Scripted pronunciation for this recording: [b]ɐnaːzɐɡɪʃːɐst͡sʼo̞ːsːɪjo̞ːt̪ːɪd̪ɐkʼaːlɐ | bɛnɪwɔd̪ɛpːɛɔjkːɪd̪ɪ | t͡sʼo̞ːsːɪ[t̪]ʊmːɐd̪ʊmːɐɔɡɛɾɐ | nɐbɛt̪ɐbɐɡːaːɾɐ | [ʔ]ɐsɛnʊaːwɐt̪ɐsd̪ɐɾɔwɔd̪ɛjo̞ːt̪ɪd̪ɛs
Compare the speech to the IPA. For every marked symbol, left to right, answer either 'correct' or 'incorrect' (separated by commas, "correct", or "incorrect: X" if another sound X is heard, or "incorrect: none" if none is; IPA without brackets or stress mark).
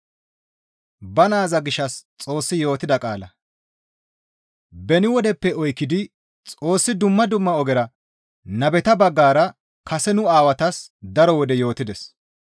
correct, incorrect: d̪, incorrect: k